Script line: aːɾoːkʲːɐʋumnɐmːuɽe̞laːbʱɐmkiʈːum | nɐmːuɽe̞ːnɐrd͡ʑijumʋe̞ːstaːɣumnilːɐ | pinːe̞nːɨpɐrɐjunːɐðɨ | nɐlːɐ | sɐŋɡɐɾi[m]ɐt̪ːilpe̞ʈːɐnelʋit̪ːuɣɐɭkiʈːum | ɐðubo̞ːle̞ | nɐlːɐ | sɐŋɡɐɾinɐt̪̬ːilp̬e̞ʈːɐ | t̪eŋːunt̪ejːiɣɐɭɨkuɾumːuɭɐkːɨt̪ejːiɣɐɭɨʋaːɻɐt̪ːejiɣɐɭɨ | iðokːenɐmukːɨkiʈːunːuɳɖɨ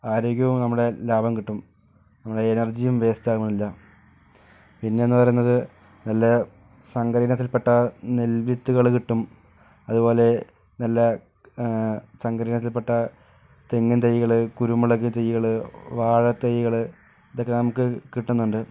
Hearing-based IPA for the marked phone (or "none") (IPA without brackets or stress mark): n